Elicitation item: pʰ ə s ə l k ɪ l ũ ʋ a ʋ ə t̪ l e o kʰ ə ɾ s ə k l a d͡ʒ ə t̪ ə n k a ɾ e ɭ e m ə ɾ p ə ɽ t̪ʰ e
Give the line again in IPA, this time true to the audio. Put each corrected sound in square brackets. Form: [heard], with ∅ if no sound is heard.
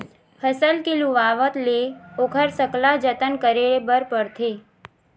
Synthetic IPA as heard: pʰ ə s ə l k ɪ l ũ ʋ a ʋ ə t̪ l e o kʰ ə ɾ s ə k l a d͡ʒ ə t̪ ə n k [ə] ɾ e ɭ e [b] ə ɾ p ə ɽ t̪ʰ e